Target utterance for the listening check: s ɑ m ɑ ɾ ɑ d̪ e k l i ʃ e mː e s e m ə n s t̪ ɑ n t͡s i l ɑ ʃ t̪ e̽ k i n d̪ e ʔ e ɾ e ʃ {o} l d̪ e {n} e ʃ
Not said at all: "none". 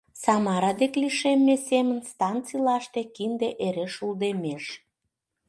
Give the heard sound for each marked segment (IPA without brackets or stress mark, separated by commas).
u, m